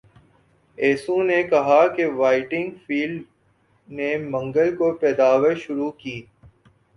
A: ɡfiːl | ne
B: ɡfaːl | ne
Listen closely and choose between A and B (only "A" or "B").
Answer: A